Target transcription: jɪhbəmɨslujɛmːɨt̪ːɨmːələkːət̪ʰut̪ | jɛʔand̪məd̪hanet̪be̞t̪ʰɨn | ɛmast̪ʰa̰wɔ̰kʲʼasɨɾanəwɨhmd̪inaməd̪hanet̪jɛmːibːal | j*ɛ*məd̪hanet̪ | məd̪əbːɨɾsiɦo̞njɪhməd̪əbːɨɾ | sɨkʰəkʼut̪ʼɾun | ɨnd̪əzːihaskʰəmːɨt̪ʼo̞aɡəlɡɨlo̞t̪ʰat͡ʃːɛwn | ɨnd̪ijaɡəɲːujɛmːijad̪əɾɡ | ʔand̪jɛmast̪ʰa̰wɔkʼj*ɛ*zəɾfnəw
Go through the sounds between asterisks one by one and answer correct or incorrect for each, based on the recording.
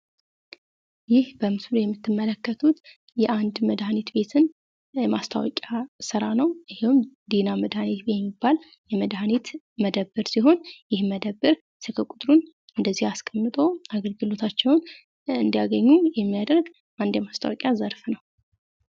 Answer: correct, incorrect: a

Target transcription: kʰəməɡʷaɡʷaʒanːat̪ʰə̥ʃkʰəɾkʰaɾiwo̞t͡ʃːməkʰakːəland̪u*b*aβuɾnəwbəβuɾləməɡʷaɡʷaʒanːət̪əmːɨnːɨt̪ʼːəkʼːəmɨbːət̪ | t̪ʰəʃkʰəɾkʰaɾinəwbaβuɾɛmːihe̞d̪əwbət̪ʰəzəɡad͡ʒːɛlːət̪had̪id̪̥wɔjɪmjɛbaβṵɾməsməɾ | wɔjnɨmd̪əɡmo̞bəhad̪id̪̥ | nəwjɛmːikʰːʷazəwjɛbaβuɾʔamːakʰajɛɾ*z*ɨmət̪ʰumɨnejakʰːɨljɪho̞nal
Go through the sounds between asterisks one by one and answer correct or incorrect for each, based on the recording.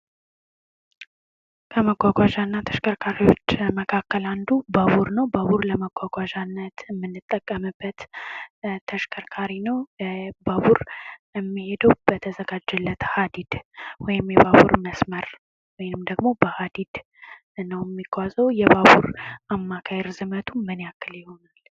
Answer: correct, correct

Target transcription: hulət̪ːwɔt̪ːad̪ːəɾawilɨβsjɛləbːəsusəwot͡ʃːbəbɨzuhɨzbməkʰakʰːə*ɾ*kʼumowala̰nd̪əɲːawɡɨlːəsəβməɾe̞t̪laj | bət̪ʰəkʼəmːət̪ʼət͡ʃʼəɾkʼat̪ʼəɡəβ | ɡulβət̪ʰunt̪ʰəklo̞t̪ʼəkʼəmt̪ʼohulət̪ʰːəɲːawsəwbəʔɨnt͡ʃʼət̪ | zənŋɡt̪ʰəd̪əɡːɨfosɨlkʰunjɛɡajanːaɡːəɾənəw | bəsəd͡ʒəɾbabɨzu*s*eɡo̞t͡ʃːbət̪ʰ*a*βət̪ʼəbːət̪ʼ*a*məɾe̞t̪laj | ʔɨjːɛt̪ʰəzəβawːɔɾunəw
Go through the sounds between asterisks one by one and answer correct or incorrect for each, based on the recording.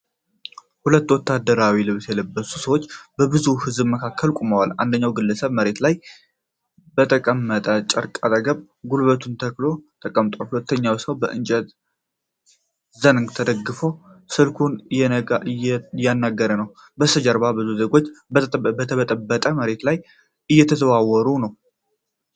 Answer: incorrect: l, incorrect: z, incorrect: ə, incorrect: ə

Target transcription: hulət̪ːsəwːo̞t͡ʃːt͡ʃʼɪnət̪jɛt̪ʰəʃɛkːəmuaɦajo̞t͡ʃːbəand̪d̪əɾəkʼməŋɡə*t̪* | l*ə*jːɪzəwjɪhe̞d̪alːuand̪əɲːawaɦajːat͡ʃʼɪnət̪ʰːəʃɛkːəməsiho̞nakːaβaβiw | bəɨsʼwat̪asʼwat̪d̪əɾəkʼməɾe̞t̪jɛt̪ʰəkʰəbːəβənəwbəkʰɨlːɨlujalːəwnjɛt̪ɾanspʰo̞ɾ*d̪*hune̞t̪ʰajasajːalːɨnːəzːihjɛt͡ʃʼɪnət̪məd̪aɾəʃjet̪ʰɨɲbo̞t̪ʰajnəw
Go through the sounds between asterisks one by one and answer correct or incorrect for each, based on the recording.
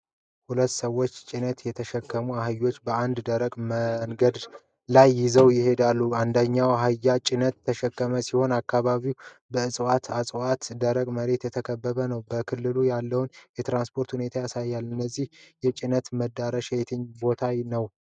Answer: incorrect: d̪, incorrect: a, incorrect: t̪

